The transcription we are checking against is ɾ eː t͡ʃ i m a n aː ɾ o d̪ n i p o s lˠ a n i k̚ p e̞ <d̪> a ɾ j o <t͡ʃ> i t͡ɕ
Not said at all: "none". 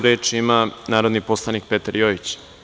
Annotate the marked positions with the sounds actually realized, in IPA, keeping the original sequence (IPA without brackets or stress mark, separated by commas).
t̪, none